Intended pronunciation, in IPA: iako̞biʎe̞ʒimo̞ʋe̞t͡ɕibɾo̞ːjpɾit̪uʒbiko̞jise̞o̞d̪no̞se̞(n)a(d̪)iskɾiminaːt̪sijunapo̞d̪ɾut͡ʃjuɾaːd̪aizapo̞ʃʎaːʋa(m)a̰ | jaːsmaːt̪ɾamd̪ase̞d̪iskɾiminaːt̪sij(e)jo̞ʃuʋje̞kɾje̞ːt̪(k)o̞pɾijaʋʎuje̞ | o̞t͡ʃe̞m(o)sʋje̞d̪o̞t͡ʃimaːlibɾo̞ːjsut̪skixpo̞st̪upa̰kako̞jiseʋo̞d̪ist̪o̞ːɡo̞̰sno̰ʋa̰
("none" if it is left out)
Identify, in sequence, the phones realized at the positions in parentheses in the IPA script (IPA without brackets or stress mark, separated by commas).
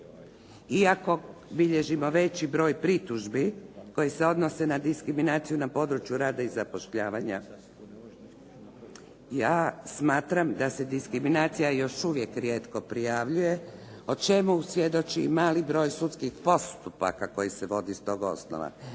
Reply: n, d̪, ɲ, a, k, u